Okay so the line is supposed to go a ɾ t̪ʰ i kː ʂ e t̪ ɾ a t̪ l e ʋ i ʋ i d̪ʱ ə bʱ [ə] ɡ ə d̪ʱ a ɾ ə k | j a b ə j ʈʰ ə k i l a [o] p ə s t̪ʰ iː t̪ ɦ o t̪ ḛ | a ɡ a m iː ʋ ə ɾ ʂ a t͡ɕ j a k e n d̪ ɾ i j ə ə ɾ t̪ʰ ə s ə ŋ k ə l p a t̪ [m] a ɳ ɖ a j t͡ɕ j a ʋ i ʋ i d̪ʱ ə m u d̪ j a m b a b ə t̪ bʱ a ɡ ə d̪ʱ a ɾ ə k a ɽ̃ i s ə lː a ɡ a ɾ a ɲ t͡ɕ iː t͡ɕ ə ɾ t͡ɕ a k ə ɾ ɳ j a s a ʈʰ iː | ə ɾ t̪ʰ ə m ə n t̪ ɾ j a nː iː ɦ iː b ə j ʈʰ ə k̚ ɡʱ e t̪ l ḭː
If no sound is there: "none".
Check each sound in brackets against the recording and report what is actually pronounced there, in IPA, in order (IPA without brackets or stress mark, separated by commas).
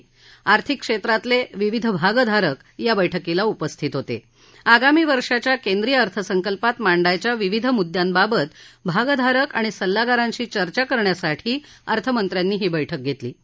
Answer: a, u, m